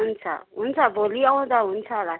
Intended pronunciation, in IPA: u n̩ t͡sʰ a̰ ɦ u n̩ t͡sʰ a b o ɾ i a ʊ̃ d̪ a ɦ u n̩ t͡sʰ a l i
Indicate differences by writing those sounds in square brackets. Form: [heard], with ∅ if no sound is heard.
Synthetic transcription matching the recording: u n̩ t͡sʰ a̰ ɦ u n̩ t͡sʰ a b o [l] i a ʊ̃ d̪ a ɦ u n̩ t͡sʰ a l [a]